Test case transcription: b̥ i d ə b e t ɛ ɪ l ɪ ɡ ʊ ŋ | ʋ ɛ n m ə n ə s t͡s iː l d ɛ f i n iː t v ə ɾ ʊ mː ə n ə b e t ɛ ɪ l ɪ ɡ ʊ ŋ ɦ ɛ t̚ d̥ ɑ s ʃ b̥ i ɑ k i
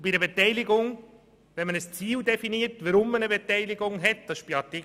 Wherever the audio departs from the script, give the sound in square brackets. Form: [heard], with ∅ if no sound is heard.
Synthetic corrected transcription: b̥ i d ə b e t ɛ ɪ l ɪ ɡ ʊ ŋ | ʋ ɛ n m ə n ə s t͡s iː l d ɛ f i n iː t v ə ɾ ʊ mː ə n ə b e t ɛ ɪ l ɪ ɡ ʊ ŋ ɦ ɛ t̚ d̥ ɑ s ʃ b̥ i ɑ [t] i